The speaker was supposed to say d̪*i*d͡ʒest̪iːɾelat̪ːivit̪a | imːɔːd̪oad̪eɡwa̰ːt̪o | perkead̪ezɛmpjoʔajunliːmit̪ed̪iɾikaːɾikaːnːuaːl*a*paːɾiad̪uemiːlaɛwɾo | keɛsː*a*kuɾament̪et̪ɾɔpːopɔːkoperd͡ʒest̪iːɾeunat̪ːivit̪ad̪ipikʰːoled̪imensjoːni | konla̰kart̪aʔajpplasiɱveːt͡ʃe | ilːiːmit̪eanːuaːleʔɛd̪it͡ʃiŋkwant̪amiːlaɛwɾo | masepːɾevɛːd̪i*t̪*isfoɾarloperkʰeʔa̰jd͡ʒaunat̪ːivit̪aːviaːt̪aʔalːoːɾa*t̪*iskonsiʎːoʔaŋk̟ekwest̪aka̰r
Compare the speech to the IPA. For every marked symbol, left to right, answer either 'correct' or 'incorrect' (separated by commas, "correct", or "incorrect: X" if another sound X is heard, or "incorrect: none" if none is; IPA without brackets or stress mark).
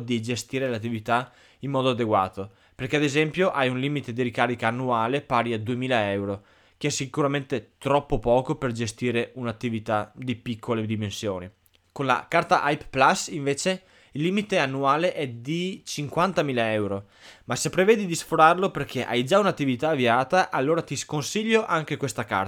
correct, incorrect: e, incorrect: i, incorrect: d̪, correct